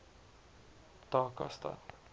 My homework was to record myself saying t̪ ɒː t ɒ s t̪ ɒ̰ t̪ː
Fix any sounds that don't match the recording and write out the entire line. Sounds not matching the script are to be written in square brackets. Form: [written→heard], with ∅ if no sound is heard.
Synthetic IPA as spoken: t̪ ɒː [t→k] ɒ s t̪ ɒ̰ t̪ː

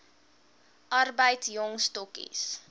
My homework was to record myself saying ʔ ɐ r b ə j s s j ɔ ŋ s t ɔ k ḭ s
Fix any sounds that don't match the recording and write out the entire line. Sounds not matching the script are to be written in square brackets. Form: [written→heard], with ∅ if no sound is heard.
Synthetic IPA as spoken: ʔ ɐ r b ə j [s→t] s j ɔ ŋ s t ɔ k ḭ s

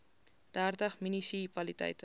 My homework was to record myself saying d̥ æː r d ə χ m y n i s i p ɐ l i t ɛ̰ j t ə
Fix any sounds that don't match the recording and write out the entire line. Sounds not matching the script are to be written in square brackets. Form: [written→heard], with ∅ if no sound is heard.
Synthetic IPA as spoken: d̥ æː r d ə χ m [y→i] n i s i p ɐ l i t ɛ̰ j t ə

